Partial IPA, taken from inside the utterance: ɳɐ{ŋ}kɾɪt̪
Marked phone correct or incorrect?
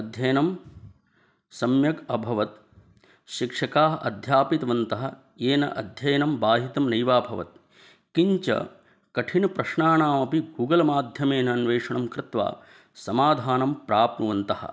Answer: incorrect